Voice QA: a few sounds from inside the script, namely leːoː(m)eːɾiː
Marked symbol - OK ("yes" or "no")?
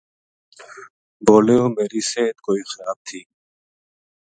yes